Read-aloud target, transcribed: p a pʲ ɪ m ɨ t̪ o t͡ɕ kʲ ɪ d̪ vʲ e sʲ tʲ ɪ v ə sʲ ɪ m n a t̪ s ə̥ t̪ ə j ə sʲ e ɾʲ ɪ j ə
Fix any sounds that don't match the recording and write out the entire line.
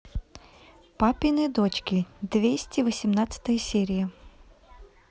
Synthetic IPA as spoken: p a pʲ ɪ n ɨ d̪ o t͡ɕ kʲ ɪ d̪ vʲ e sʲ tʲ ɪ v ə sʲ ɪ m n a t̪ s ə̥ t̪ ə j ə sʲ e ɾʲ ɪ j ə